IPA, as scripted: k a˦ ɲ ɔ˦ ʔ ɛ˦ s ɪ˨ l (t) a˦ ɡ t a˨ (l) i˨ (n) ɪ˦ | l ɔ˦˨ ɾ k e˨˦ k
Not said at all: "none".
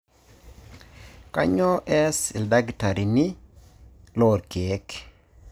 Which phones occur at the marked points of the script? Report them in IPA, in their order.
d, ɾ, n

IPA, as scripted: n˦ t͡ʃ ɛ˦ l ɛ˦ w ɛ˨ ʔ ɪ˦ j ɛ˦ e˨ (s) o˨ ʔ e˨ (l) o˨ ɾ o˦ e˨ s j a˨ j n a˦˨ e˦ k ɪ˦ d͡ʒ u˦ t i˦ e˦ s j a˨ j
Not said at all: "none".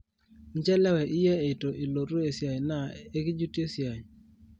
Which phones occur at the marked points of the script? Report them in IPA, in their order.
t, l

